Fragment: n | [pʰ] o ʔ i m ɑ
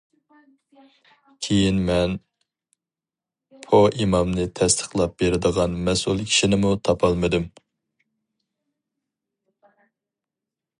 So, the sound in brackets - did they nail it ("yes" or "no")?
yes